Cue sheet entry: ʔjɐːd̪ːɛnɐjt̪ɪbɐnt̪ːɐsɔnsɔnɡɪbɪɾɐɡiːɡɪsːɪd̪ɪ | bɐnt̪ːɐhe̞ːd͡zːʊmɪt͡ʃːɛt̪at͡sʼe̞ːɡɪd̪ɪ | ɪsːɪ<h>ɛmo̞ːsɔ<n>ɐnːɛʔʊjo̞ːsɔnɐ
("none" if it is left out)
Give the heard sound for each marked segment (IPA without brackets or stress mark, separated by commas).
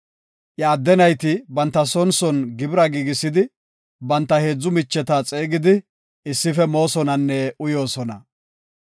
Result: f, n